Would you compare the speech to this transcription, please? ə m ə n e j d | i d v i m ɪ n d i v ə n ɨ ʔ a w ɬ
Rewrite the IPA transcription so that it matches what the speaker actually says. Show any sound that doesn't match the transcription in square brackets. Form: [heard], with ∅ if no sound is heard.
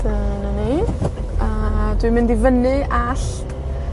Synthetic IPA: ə [n] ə n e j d | [a] d [w] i m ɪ n d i v ə n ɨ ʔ a [∅] ɬ

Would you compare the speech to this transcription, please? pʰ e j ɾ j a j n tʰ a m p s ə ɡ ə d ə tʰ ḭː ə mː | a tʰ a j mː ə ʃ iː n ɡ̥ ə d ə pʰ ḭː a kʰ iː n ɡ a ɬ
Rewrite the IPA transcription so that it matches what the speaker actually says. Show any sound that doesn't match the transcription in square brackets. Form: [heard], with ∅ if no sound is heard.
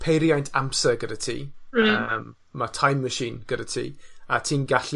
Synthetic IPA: pʰ e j ɾ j a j n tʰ a m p s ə ɡ ə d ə tʰ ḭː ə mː | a tʰ a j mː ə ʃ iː n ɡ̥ ə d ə [tʰ] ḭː a [tʰ] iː n ɡ a ɬ

